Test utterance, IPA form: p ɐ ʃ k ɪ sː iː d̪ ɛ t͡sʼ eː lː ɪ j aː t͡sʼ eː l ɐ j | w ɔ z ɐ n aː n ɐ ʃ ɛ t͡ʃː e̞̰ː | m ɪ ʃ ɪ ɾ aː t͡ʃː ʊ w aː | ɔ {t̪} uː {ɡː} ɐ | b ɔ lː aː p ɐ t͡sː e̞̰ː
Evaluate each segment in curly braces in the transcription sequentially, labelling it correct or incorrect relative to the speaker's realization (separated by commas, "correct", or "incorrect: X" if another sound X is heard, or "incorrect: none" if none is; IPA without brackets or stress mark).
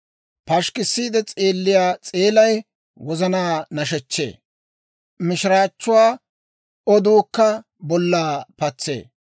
incorrect: d̪, incorrect: kː